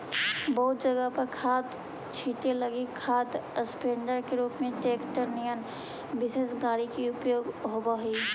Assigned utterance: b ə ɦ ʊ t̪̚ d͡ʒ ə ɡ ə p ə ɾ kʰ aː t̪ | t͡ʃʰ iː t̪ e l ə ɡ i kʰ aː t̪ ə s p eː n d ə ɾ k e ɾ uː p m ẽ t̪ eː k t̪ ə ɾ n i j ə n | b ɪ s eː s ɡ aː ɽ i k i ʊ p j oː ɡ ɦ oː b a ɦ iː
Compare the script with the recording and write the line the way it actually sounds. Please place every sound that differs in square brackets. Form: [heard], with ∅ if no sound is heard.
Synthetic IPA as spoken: b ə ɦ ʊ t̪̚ d͡ʒ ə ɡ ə p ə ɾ kʰ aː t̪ | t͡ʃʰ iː t̪ e l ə ɡ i kʰ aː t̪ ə s p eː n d ə ɾ k e ɾ uː p m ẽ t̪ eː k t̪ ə ɾ n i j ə n | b ɪ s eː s ɡ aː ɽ i k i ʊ p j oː ɡ ɦ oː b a ɦ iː